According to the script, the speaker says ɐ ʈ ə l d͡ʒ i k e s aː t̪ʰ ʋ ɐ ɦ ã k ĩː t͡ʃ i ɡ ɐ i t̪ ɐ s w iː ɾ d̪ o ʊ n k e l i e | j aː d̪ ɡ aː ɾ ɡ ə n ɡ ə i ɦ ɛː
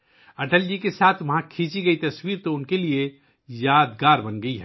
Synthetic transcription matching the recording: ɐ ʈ ə l d͡ʒ i k e s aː t̪ʰ ʋ ɐ ɦ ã kʰ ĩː t͡ʃ i ɡ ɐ i t̪ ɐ s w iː ɾ t̪ o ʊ n k e l i e | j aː d̪ ɡ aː ɾ b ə n ɡ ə i ɦ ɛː